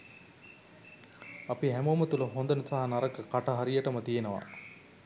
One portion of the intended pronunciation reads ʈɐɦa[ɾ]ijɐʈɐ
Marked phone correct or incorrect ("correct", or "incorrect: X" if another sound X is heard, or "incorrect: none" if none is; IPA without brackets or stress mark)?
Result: correct